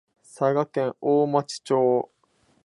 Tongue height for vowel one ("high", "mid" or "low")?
low